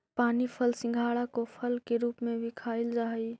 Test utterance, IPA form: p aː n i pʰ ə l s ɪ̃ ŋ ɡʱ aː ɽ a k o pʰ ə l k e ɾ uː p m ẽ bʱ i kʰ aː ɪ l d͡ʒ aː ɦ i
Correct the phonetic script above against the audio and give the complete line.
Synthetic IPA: p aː n i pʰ ə l s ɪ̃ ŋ ɡʱ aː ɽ a k o pʰ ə l k e ɾ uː p m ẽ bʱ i kʰ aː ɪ l d͡ʒ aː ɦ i